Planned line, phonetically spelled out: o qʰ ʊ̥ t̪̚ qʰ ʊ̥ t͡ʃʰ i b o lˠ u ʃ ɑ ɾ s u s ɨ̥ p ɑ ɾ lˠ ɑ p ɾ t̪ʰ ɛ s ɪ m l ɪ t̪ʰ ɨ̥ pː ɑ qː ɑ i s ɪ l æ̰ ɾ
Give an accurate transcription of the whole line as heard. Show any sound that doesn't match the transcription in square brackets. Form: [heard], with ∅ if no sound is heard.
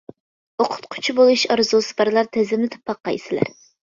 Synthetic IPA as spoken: o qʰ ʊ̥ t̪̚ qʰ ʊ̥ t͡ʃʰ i b o lˠ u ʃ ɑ ɾ [z] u s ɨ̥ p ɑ ɾ lˠ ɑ [∅] ɾ t̪ʰ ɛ [z] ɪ m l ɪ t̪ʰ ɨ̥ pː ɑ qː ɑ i s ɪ l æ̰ ɾ